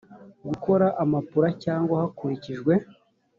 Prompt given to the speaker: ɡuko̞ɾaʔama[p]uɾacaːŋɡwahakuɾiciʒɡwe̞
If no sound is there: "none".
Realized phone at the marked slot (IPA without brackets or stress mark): p